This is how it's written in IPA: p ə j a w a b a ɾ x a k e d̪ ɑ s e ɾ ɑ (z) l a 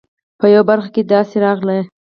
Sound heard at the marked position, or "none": ɣ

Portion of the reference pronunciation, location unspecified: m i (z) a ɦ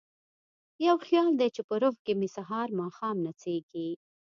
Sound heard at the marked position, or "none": s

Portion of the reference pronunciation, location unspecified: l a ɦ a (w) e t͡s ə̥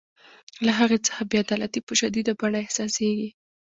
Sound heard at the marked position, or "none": ɣ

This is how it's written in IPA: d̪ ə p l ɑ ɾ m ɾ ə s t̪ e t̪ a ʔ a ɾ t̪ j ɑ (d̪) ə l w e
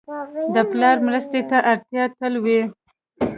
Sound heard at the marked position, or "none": t̪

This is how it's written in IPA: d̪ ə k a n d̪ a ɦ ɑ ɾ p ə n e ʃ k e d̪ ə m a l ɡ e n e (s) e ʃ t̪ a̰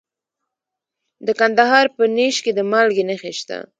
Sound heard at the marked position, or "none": x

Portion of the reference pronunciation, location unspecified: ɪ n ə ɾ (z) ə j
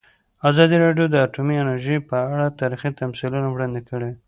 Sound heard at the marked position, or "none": ʒ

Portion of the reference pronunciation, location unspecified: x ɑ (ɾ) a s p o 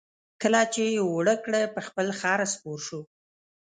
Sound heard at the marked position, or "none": ɾ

